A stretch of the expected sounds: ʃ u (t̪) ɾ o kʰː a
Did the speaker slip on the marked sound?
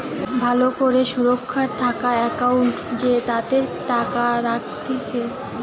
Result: yes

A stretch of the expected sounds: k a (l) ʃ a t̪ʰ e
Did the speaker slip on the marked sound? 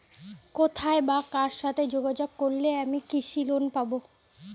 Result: yes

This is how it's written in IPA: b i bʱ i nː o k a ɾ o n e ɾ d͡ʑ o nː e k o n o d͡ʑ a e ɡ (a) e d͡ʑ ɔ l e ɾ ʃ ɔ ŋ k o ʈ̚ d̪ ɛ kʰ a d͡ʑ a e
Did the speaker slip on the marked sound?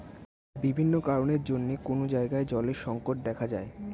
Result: no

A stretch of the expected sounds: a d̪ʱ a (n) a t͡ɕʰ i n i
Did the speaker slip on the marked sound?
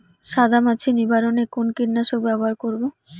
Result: yes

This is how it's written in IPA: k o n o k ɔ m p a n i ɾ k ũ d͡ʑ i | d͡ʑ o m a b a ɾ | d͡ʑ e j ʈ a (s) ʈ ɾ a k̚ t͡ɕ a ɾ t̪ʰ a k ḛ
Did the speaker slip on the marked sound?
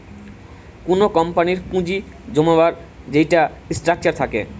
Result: no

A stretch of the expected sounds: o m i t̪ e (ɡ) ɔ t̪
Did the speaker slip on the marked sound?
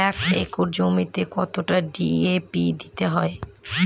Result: yes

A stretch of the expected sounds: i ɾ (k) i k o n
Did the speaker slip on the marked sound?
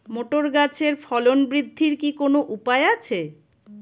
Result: no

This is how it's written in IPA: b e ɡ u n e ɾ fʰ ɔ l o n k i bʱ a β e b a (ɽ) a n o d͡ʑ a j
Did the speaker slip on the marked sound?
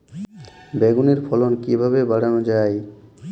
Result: no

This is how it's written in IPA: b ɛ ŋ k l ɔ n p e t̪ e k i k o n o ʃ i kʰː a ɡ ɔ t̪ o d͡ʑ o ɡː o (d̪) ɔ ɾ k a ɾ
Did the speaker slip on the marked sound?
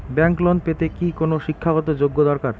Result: no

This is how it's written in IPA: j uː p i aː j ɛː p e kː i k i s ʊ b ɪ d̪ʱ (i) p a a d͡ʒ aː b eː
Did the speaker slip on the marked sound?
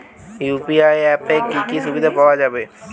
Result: yes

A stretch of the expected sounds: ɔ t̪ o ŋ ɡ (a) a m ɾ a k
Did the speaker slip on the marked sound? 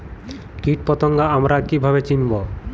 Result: no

